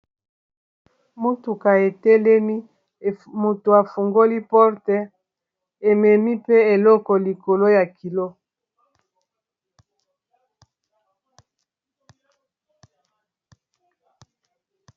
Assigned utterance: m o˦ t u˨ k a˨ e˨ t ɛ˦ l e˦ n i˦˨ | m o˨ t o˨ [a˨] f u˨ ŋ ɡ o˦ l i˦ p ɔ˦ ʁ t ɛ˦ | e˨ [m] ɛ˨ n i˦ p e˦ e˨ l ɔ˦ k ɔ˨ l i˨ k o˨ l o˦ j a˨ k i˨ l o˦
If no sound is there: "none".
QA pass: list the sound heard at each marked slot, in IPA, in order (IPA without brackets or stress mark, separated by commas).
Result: a˨, m